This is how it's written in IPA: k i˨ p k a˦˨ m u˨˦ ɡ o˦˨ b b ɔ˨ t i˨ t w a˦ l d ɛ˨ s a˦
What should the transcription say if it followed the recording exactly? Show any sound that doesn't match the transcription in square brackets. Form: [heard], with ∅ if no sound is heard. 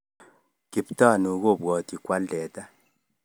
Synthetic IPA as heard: k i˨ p [t] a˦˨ [n] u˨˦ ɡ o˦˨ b [w] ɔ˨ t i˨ [k] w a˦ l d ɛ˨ [t] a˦

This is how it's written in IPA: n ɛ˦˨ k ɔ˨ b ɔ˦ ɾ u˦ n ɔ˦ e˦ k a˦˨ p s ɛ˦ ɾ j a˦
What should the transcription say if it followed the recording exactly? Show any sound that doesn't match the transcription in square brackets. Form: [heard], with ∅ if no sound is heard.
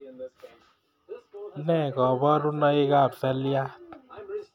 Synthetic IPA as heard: n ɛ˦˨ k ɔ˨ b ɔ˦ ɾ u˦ n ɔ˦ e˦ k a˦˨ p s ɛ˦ [l] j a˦

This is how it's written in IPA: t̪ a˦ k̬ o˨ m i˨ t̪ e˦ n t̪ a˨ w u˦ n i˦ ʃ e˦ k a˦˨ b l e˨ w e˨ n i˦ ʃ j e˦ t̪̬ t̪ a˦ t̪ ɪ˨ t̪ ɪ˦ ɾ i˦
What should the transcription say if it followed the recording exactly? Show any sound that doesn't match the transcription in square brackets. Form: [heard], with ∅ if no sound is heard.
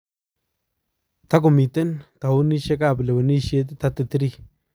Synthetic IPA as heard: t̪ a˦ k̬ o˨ m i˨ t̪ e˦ n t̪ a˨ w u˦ n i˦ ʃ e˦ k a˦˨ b l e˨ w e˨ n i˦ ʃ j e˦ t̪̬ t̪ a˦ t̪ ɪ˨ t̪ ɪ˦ ɾ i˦

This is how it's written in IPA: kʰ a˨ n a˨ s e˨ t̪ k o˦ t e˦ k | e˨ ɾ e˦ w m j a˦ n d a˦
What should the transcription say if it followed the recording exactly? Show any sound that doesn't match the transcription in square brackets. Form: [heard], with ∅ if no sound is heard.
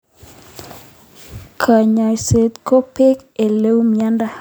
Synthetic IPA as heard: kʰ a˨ [ɲ] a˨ s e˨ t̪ k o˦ [p] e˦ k | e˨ [l] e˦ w m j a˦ n d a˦

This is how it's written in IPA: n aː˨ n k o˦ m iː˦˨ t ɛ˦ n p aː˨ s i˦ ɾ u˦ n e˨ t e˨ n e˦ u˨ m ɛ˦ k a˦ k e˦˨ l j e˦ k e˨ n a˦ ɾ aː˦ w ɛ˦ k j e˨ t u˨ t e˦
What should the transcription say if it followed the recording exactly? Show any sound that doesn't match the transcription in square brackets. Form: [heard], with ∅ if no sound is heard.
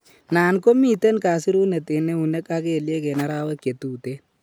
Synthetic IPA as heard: n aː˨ n k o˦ m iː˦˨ t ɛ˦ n [k] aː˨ s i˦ ɾ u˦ n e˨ t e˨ n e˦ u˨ [n] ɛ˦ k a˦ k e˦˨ l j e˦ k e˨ n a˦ ɾ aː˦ w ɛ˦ k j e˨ t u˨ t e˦

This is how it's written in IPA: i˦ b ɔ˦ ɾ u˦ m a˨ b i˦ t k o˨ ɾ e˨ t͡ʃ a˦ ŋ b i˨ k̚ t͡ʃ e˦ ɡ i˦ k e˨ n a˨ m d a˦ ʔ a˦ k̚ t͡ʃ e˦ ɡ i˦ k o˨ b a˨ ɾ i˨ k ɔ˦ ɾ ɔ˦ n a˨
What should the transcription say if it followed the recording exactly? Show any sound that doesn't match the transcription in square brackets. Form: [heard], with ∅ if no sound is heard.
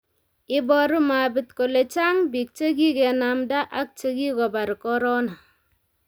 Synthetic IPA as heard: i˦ b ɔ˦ ɾ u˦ m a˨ b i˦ t k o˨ [l] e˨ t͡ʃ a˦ ŋ b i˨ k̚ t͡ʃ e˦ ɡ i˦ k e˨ n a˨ m d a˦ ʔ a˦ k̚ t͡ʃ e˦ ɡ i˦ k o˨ b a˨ ɾ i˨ k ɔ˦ ɾ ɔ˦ n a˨

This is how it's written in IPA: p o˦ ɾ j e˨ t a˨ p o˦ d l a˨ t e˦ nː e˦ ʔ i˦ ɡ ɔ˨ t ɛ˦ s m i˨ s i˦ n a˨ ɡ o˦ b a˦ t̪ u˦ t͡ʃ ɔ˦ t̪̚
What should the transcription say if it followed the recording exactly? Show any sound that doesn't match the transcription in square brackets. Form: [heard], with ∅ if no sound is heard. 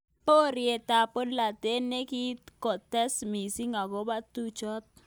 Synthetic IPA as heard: p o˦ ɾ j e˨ t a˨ p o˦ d l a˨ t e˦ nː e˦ [k] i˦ [k] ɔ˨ t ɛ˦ s m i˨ s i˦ [ŋ] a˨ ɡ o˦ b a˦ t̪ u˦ t͡ʃ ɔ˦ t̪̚

